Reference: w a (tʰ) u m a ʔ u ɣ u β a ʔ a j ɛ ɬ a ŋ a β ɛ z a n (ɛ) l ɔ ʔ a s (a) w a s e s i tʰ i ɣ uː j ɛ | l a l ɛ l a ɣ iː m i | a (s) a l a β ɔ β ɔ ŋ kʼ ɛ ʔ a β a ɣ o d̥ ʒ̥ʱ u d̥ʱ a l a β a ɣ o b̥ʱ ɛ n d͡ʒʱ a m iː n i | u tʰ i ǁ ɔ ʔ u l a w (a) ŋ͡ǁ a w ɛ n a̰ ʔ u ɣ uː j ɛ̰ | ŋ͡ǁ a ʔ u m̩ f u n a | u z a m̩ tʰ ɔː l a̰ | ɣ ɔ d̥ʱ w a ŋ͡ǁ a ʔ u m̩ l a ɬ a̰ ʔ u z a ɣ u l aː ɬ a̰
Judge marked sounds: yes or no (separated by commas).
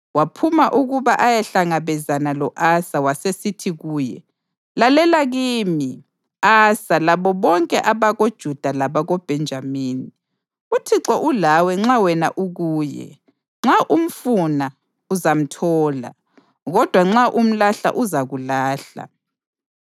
no, no, yes, yes, no